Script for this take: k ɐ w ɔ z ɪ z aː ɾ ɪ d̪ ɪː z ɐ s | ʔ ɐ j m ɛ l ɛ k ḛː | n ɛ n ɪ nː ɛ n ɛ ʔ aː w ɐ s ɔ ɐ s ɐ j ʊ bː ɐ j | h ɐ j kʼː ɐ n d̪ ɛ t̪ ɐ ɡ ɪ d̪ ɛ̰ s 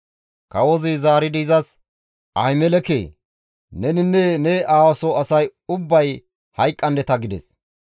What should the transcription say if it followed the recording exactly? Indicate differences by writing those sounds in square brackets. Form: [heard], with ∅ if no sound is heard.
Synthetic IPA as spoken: k ɐ w ɔ z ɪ z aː ɾ ɪ d̪ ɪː z ɐ s | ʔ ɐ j m ɛ l ɛ k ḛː | n ɛ n ɪ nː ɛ n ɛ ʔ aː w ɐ s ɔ ɐ s ɐ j ʊ bː ɐ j | h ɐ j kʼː ɐ n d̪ ɛ t̪ ɐ ɡ ɪ d̪ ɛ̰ s